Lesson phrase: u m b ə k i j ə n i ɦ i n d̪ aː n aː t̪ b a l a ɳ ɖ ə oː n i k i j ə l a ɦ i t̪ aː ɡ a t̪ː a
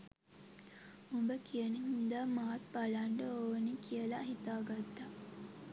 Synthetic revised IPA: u m b ə k i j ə n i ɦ i n d̪ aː m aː t̪ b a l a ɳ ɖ ə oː n i k i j ə l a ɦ i t̪ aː ɡ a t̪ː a